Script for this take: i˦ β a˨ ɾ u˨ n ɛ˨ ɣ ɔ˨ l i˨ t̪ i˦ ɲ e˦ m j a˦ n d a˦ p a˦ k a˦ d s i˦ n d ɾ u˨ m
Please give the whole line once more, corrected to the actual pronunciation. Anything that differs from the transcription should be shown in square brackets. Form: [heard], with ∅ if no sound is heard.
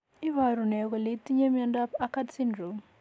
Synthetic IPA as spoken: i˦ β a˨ ɾ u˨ n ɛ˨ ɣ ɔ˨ l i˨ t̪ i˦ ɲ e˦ m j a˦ n d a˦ p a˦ k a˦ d s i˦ n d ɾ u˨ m